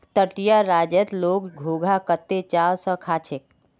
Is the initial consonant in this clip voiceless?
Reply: yes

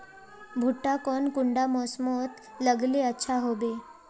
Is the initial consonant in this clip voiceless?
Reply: no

